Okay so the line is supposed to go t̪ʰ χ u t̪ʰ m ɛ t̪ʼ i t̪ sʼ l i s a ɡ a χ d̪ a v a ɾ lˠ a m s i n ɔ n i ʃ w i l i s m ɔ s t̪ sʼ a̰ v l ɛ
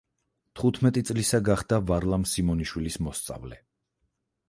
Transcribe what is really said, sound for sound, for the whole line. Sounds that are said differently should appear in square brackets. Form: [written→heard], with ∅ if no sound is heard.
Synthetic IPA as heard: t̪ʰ χ u t̪ʰ m ɛ t̪ʼ i t̪ sʼ l i s a ɡ a χ d̪ a v a ɾ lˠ a m s i [n→m] ɔ n i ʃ w i l i s m ɔ s t̪ sʼ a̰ v l ɛ